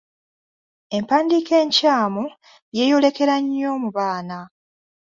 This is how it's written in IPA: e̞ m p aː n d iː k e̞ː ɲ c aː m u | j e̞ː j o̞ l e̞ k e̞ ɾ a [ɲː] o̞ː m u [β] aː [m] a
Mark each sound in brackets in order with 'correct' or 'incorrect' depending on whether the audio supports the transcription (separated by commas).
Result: correct, correct, incorrect